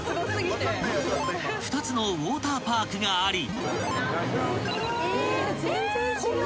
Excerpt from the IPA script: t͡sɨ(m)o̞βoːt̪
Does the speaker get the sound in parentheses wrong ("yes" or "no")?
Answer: yes